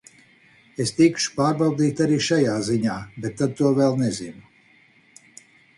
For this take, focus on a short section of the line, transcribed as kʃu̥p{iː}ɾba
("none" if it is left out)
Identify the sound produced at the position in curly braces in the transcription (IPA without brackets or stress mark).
aː